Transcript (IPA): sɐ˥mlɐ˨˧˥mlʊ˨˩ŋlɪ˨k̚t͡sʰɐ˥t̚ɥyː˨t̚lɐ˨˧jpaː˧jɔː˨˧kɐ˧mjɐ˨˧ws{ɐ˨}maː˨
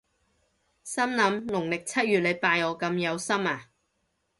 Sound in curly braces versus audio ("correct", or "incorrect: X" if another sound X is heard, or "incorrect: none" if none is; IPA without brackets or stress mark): incorrect: ɐ˥